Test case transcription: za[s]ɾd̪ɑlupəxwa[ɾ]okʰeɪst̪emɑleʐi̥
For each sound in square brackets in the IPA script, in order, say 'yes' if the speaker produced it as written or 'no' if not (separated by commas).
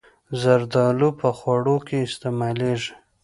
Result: no, no